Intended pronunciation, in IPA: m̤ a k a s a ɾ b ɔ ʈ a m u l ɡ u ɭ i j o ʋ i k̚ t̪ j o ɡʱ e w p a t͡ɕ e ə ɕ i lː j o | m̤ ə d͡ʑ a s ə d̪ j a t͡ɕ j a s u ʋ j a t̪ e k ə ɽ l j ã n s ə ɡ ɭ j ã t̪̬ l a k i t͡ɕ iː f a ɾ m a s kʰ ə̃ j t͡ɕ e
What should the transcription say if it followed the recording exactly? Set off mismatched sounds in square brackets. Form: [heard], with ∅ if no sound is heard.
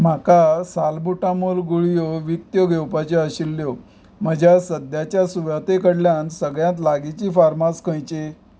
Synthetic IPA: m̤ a k a s a [l] b [u] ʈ a m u l ɡ u ɭ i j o ʋ i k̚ t̪ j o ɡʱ e w p a t͡ɕ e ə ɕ i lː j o | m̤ ə d͡ʑ a s ə d̪ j a t͡ɕ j a s u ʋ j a t̪ e k ə ɽ l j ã n s ə ɡ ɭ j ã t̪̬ l a [ɡ] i t͡ɕ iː f a ɾ m a s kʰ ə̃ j t͡ɕ e